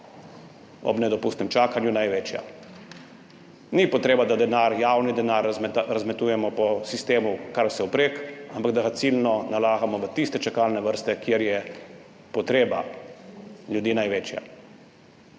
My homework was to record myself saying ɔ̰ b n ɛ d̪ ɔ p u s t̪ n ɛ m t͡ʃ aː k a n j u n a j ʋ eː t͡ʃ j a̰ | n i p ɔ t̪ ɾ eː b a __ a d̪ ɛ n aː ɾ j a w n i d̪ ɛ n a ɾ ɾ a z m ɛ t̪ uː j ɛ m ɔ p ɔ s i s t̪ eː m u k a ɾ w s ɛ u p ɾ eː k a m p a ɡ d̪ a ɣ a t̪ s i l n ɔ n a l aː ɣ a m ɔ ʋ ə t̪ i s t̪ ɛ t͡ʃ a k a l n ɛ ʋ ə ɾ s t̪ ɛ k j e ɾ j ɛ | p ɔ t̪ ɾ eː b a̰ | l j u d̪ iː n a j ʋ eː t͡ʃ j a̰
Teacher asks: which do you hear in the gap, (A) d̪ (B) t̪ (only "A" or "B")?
A